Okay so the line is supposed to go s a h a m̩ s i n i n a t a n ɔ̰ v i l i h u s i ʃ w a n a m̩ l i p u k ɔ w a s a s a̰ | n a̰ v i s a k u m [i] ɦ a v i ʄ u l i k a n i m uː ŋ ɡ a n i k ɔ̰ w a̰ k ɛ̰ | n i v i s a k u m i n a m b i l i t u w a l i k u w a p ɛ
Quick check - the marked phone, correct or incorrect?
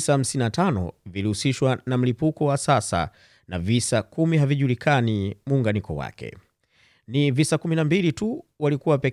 correct